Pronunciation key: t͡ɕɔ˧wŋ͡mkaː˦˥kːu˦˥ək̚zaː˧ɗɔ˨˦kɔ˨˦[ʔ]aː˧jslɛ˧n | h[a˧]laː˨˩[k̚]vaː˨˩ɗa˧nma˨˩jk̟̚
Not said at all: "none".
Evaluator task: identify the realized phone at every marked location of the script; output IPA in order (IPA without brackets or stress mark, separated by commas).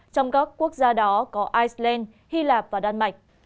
ʔ, i˧, p̚